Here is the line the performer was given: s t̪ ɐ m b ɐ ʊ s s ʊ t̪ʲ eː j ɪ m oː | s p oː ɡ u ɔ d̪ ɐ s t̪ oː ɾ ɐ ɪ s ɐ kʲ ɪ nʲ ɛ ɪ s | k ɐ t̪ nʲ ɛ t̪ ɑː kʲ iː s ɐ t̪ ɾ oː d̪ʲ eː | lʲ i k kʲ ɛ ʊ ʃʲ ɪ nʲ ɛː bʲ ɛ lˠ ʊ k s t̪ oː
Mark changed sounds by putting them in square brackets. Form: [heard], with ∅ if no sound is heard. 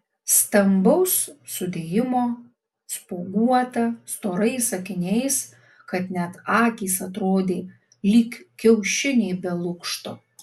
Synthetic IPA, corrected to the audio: s t̪ ɐ m b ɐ ʊ s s ʊ [d̪ʲ] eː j ɪ m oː | s p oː ɡ u ɔ [t̪] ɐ s t̪ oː ɾ ɐ ɪ s ɐ kʲ ɪ nʲ ɛ ɪ s | k ɐ t̪ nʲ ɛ t̪ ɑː kʲ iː s ɐ t̪ ɾ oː d̪ʲ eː | lʲ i k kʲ ɛ ʊ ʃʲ ɪ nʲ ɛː bʲ ɛ lˠ ʊ k [ʃ] t̪ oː